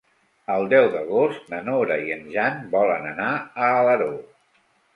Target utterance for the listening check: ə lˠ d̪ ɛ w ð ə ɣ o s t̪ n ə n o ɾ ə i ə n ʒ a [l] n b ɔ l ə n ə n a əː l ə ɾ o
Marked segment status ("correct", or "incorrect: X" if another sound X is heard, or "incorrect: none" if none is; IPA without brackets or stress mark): incorrect: none